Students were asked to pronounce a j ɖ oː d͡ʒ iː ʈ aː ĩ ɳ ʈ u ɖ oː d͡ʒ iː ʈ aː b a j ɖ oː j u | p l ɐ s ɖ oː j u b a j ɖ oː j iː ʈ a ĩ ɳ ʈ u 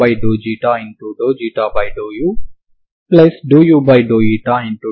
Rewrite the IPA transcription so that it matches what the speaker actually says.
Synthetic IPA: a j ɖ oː d͡ʒ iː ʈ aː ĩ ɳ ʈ u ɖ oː d͡ʒ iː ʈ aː b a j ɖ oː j u | p l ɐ s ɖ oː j u b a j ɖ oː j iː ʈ a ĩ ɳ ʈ u